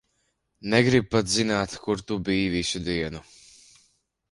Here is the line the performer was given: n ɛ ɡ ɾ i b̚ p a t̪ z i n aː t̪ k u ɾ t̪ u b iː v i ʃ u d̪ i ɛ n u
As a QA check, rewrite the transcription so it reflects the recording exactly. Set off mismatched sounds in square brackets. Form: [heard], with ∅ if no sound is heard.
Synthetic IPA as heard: n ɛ ɡ ɾ i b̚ p a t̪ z i n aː t̪ k u ɾ t̪ u b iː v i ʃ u d̪ i ɛ n u

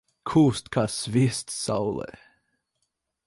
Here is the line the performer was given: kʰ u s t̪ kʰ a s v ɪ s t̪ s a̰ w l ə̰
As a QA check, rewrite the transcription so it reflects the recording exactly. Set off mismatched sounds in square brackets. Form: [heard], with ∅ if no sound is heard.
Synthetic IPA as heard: kʰ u s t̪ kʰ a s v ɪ s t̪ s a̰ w l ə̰

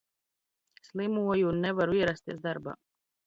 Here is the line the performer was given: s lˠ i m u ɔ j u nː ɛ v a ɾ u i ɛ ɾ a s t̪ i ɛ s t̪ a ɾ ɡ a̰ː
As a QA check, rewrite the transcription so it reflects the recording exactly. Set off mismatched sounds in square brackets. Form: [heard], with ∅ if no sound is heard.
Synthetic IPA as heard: s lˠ i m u ɔ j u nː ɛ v a ɾ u i ɛ ɾ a s t̪ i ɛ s [d̪] a ɾ [b] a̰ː

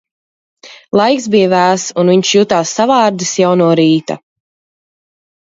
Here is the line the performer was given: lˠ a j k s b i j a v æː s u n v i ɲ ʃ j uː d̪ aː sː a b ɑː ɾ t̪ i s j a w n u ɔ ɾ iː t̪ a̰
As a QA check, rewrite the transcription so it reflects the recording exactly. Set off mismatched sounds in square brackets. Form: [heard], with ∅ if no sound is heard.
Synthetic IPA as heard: lˠ a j k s b i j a v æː s u n v i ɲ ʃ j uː [t̪] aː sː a [v] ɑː ɾ [d̪] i s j a w n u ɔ ɾ iː t̪ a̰

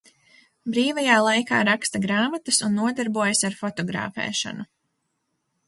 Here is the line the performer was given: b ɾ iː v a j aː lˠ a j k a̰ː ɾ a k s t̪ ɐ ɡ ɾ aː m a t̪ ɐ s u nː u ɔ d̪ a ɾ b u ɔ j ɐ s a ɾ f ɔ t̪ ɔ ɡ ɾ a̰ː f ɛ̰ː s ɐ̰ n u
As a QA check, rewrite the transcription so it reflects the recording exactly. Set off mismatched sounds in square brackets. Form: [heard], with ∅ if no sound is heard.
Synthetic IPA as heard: b ɾ iː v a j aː lˠ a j k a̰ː ɾ a k s t̪ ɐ ɡ ɾ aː m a t̪ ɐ s u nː u ɔ d̪ a ɾ b u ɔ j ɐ s a ɾ f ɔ t̪ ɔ ɡ ɾ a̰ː f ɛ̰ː [ʃ] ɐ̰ n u

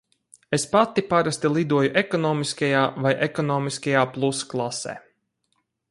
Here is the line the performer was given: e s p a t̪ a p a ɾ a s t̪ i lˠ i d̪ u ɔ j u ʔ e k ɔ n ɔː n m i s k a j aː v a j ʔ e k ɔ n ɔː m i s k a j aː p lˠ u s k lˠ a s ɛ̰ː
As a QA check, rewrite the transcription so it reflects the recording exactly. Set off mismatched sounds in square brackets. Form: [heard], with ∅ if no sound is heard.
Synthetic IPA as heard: e s p a t̪ [i] p a ɾ a s t̪ i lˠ i d̪ u ɔ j u ʔ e k ɔ n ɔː [∅] m i s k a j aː v a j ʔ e k ɔ n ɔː m i s k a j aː p lˠ u s k lˠ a s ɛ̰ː

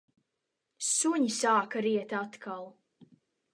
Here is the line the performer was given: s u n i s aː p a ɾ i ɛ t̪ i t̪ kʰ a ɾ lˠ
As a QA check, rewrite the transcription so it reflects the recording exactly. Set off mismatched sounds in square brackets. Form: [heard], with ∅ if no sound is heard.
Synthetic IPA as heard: s u [ɲ] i s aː [k] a ɾ i ɛ t̪ [a] t̪ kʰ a [∅] lˠ

